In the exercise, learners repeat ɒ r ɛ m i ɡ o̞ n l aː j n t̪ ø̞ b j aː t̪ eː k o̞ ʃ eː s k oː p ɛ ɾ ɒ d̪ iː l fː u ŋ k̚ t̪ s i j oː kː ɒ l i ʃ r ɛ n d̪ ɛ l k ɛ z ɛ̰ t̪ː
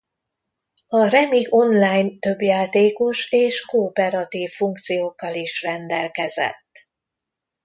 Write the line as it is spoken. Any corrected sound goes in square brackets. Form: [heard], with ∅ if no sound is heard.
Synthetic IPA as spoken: ɒ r ɛ m i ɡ o̞ n l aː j n t̪ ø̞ b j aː t̪ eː k o̞ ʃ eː [ʃ] k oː p ɛ ɾ ɒ [t̪] iː [∅] fː u ŋ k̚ t̪ s i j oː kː ɒ l i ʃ r ɛ n d̪ ɛ l k ɛ z ɛ̰ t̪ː